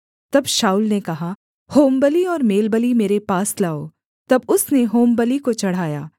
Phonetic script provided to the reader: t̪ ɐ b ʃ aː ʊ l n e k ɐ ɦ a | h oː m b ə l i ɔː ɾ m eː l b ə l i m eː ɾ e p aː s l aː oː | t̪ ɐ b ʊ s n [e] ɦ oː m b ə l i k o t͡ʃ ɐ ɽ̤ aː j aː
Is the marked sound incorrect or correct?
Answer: correct